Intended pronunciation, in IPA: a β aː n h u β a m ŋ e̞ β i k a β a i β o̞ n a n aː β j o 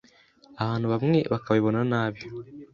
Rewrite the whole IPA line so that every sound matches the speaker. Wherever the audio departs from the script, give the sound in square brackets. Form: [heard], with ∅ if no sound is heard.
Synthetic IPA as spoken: a β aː n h u β a m ŋ e̞ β [a] k a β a i β o̞ n a n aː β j o